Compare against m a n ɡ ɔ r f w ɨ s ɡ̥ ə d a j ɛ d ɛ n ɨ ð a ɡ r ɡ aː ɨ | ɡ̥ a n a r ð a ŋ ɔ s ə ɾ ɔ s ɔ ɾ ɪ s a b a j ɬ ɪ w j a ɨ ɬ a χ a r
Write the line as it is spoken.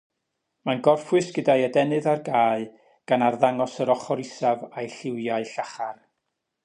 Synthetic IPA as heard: m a n ɡ ɔ r f w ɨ s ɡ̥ ə d a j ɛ d ɛ n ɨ ð a r ɡ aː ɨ | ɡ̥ a n a r ð a ŋ ɔ s ə ɾ ɔ χ ɔ ɾ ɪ s a v a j ɬ ɪ w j a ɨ ɬ a χ a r